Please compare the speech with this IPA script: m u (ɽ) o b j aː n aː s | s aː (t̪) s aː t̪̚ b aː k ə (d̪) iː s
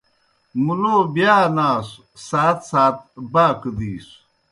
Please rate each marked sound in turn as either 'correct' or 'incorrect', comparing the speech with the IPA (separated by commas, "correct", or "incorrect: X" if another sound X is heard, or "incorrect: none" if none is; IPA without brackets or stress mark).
incorrect: l, correct, correct